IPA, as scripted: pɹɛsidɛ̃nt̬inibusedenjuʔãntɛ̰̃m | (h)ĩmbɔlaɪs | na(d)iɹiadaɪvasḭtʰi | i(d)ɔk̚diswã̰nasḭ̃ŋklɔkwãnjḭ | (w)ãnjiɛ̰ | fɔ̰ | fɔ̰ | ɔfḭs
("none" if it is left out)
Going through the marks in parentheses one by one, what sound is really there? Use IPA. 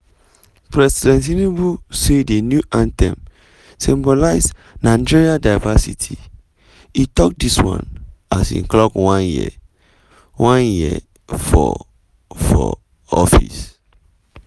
s, d͡ʒ, t, w

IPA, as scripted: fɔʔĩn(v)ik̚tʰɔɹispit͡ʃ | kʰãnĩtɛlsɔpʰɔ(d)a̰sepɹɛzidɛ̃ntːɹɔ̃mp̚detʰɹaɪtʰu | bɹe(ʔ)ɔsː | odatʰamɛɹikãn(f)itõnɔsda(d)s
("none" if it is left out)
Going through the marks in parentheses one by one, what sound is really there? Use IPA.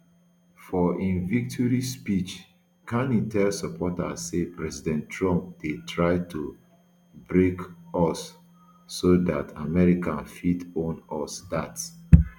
v, t, k, f, t

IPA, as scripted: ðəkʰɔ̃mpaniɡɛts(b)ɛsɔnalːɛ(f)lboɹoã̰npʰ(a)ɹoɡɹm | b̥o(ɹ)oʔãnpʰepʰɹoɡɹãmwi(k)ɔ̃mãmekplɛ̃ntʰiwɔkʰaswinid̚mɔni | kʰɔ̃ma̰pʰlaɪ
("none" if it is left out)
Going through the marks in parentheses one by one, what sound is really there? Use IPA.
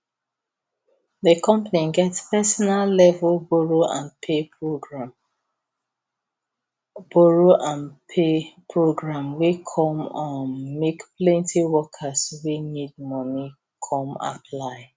p, v, e, ɹ, kʰ

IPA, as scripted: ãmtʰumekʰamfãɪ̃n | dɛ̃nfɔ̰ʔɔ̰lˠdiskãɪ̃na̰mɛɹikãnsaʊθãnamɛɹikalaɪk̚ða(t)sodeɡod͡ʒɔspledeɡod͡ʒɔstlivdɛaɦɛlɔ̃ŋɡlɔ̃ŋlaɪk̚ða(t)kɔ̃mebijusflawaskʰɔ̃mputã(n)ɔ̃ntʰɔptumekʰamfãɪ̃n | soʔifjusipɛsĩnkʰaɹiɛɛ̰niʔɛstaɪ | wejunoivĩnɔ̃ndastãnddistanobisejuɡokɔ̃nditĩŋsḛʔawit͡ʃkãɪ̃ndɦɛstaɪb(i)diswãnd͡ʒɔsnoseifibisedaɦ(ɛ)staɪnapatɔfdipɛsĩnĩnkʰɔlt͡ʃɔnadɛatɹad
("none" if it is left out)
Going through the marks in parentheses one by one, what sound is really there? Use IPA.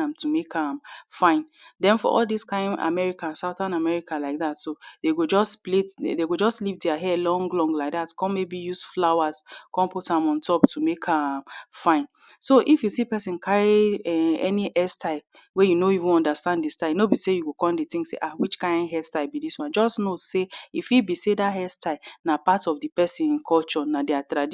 t, t, m, i, ɛ

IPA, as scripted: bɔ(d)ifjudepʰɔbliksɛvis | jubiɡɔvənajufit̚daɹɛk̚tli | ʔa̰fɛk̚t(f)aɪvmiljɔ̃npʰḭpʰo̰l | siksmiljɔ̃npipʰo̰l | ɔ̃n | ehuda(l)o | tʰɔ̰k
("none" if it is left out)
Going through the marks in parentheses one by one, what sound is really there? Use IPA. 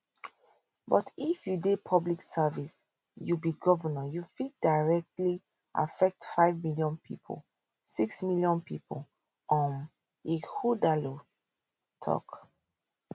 t, f, l

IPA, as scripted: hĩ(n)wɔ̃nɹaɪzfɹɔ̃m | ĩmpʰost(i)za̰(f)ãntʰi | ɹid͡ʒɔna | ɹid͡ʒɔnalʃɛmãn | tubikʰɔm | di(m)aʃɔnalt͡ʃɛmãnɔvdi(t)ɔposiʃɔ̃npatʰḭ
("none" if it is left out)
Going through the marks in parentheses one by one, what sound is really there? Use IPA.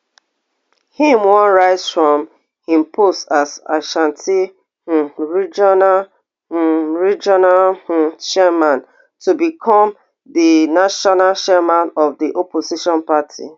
m, a, ʃ, n, ʔ

